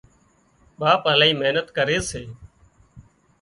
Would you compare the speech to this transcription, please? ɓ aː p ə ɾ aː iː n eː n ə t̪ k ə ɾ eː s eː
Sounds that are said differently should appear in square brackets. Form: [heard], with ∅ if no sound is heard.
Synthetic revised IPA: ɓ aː p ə [l] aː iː [m] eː n ə t̪ k ə ɾ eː s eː